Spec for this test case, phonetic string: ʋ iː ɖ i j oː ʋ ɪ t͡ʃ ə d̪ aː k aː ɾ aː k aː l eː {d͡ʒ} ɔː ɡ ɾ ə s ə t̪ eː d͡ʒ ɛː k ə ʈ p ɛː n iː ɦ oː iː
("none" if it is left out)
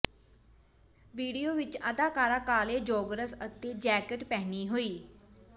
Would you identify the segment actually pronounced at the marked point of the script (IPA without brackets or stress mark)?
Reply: d͡ʒ